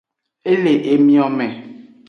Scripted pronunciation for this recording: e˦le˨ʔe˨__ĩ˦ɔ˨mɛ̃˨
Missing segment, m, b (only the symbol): m